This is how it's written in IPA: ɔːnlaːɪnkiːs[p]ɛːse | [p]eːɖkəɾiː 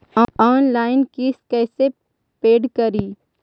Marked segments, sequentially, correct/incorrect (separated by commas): incorrect, correct